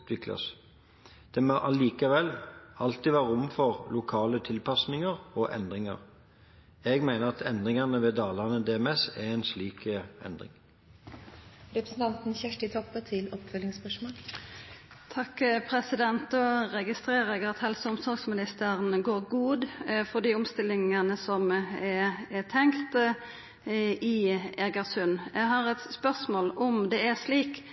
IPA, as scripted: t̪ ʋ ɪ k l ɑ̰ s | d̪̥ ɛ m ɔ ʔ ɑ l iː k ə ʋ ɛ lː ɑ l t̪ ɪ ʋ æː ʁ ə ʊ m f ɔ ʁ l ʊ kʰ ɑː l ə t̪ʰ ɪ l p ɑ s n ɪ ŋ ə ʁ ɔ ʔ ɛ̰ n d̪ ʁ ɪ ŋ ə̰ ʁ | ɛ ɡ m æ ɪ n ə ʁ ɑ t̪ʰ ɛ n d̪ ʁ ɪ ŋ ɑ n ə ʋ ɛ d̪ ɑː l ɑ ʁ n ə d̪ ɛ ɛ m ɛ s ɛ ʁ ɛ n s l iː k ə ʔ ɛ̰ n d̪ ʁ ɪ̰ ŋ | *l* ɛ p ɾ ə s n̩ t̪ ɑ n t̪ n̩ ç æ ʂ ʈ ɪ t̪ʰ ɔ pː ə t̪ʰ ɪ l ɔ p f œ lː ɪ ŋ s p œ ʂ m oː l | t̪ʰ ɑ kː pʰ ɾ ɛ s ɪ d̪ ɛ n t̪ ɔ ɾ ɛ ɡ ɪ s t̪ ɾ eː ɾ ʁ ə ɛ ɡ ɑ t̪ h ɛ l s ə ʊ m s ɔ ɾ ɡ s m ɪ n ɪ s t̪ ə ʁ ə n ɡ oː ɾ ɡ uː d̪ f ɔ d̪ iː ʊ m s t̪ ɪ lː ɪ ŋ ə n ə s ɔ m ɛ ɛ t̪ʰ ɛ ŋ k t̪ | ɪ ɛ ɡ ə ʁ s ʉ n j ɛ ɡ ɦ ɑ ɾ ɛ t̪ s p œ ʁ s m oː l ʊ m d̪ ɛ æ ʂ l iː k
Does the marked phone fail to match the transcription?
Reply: yes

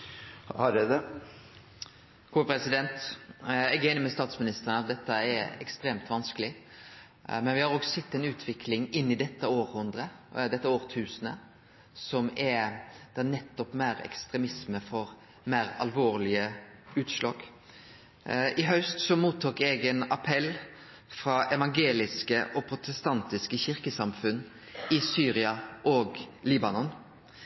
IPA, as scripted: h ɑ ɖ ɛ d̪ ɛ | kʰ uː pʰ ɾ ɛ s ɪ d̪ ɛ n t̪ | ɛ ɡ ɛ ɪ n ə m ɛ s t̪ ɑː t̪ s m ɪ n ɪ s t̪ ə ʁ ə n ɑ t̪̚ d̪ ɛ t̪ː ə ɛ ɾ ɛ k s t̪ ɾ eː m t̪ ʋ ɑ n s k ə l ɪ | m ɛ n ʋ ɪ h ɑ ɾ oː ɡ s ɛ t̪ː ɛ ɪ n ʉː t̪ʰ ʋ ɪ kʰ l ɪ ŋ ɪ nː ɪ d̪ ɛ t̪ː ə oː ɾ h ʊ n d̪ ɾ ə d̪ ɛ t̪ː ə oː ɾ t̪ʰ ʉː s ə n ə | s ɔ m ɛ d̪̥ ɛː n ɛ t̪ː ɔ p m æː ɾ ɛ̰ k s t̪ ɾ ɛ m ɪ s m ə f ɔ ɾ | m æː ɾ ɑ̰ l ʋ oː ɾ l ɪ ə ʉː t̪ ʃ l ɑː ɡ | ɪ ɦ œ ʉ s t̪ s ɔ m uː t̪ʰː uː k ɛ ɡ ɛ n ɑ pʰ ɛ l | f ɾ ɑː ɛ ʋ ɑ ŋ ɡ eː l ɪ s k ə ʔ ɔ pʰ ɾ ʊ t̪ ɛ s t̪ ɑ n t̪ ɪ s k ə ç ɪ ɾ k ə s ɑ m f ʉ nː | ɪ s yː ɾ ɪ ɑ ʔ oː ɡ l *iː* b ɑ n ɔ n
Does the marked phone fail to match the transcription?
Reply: no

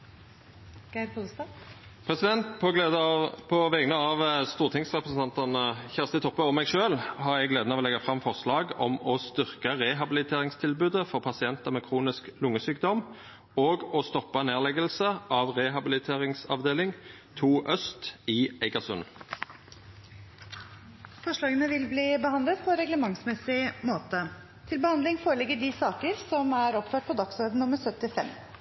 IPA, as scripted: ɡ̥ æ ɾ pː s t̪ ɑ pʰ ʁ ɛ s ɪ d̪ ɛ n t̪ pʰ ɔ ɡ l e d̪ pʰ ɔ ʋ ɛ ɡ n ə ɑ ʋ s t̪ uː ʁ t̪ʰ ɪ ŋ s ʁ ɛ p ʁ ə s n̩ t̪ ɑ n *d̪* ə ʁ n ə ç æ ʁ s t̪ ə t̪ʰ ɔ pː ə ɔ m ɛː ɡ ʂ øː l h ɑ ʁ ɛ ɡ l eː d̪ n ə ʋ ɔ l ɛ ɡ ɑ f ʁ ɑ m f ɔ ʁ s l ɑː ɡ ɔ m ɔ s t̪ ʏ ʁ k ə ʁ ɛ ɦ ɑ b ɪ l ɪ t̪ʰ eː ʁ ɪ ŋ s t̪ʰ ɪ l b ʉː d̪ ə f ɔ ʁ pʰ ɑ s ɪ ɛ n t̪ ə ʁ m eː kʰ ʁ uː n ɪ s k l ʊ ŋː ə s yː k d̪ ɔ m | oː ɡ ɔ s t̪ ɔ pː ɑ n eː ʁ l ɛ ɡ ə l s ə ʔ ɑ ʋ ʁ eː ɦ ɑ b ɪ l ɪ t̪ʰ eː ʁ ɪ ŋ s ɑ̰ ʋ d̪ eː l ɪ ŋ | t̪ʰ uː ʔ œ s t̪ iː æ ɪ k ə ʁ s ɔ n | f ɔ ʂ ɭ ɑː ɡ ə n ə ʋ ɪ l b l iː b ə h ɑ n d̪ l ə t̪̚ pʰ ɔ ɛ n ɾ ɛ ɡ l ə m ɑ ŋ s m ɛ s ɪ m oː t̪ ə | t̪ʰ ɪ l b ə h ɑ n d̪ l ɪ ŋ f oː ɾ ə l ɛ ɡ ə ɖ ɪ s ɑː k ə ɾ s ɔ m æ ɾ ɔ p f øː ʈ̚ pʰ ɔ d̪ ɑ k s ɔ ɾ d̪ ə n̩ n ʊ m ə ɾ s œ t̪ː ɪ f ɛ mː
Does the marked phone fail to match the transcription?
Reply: yes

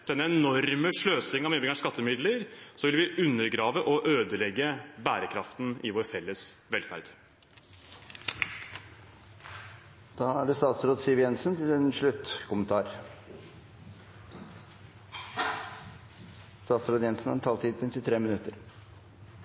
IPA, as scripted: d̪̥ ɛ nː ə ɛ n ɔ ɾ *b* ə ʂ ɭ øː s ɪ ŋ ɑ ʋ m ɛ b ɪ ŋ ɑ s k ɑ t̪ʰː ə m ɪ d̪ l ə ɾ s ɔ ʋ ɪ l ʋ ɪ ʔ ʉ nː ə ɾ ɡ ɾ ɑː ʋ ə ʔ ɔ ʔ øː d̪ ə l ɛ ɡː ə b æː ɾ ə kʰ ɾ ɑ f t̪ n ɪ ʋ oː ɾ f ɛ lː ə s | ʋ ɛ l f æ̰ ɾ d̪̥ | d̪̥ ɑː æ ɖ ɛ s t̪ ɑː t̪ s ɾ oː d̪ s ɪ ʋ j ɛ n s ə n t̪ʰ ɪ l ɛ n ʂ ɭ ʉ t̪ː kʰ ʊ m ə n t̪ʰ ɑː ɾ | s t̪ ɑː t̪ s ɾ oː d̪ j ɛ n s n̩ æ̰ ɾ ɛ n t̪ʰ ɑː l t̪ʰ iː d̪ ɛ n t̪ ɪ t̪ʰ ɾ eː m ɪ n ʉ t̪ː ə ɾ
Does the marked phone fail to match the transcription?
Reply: yes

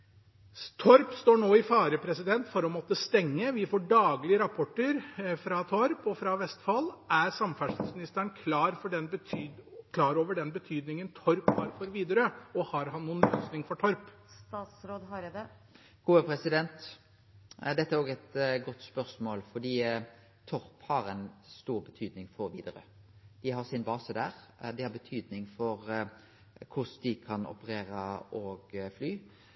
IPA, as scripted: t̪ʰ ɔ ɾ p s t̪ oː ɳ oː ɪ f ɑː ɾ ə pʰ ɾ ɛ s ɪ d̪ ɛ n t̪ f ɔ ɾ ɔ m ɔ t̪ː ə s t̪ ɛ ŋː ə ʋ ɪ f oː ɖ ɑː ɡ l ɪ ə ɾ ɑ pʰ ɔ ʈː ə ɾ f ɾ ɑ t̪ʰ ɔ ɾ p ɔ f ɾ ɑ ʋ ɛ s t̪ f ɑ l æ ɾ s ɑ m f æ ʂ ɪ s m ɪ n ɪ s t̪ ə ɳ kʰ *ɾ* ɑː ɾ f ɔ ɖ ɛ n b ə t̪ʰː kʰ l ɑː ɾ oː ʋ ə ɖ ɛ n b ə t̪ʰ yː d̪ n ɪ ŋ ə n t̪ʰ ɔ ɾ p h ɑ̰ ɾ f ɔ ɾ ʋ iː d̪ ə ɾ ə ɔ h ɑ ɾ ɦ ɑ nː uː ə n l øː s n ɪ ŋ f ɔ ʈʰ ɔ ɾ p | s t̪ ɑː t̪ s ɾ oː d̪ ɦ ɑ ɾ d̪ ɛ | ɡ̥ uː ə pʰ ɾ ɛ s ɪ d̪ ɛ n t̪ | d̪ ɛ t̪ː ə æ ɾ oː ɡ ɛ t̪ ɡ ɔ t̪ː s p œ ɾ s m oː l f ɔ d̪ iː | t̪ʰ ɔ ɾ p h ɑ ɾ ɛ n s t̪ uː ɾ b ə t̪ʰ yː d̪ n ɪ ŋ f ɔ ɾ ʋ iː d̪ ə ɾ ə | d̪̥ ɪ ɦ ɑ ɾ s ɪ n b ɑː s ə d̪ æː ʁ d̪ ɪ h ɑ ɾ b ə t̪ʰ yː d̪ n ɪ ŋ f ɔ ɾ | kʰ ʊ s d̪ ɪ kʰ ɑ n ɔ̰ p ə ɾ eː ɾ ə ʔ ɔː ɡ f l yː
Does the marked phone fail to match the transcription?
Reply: yes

